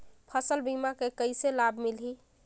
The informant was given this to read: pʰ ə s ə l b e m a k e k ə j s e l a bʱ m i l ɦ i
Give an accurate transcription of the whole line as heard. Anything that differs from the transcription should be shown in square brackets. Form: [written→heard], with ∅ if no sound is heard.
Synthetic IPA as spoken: pʰ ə s ə l b [e→i] m a k e k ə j s e l a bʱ m i l ɦ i